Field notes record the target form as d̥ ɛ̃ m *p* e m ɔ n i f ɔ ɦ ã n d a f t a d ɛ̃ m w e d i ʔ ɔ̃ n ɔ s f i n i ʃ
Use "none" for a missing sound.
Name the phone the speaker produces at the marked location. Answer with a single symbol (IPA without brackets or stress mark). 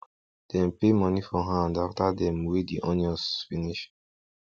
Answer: p